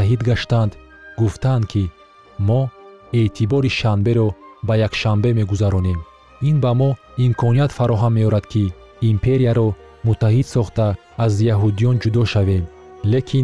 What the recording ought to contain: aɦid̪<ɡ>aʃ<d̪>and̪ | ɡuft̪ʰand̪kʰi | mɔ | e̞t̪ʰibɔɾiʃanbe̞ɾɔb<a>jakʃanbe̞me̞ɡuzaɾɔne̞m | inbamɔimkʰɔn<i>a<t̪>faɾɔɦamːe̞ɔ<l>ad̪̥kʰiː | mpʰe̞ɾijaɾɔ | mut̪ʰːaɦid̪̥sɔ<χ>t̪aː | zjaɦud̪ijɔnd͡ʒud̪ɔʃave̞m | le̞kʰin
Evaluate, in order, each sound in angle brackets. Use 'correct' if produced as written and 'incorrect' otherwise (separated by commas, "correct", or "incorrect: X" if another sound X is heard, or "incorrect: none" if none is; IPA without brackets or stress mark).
correct, incorrect: t̪, correct, correct, correct, incorrect: ɾ, correct